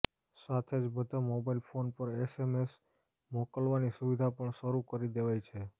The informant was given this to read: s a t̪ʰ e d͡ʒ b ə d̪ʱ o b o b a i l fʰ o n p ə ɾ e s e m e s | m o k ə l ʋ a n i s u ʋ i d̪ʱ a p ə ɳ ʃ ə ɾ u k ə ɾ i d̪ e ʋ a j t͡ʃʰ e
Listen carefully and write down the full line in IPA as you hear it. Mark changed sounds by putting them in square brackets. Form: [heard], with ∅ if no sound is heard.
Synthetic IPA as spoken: s a t̪ʰ e d͡ʒ b ə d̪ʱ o [m] o b a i l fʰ o n p ə ɾ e s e m e s | m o k ə l ʋ a n i s u ʋ i d̪ʱ a p ə ɳ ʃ ə ɾ u k ə ɾ i d̪ e ʋ a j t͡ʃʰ e